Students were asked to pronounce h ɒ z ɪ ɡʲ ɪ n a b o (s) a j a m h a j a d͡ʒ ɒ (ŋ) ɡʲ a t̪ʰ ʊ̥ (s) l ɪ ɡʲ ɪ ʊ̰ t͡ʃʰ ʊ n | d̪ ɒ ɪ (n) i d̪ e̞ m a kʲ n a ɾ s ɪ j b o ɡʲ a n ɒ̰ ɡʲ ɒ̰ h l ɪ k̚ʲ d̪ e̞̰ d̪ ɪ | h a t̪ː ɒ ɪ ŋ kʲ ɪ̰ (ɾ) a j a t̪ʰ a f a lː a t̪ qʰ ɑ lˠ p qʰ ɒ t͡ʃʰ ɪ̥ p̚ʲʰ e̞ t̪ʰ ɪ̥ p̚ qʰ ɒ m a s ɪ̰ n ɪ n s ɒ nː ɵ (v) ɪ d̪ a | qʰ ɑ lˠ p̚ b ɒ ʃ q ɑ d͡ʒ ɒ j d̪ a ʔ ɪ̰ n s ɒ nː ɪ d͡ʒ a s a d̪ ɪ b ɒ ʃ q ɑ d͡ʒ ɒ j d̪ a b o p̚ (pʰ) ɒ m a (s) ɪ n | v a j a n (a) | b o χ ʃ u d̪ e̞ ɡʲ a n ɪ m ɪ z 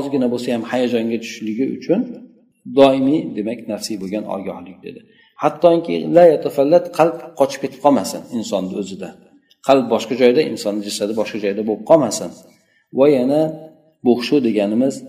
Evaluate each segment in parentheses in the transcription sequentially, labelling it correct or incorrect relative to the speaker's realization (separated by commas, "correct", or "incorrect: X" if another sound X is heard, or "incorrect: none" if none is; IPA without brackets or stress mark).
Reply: correct, correct, incorrect: ʃ, incorrect: m, incorrect: l, incorrect: z, incorrect: qʰ, correct, correct